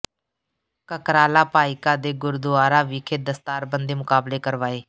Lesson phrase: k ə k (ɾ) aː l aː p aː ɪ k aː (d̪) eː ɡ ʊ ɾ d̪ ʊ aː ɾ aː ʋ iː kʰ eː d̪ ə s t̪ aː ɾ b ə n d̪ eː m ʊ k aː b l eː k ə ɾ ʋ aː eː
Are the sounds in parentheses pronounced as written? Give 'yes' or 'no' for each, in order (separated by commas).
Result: yes, yes